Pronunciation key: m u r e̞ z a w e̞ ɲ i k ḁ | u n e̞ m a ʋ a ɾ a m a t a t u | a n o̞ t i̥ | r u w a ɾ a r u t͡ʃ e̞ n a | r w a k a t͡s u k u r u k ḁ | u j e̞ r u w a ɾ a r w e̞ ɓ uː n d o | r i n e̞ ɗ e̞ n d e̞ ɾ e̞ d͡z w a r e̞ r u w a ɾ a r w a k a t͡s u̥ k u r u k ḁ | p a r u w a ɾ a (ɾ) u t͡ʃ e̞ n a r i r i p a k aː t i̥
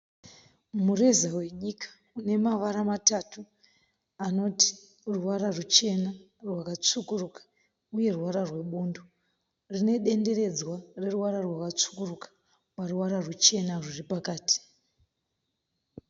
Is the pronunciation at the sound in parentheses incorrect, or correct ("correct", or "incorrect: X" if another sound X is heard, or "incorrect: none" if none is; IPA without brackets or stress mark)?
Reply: incorrect: r